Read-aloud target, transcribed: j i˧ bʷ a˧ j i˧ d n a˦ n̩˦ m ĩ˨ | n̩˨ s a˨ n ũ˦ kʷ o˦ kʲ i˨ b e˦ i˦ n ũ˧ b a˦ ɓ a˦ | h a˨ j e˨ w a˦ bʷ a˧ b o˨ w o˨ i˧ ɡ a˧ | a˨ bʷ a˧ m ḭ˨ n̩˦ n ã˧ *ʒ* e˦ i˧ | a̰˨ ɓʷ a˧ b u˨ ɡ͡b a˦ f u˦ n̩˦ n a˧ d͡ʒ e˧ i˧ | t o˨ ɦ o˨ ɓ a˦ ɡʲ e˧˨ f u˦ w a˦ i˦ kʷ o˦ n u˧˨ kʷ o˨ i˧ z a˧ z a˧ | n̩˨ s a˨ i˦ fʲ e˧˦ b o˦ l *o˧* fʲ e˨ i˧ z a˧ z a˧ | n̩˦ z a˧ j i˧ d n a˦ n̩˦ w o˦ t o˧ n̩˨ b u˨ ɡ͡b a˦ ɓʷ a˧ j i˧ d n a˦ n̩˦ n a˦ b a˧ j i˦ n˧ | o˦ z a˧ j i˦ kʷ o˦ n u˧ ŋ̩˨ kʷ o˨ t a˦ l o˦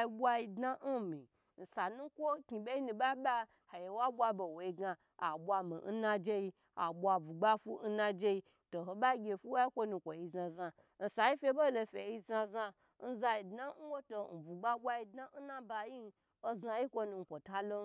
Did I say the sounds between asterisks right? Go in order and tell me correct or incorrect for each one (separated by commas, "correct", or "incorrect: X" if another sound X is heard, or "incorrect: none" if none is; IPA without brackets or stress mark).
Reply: incorrect: d͡ʒ, correct